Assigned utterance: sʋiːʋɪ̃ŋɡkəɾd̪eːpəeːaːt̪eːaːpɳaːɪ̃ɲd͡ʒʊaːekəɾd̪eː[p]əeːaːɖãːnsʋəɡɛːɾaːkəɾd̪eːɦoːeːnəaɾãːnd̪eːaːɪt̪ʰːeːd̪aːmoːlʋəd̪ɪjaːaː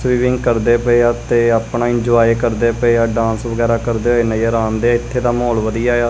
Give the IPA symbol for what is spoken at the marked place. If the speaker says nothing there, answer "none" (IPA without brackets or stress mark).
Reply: p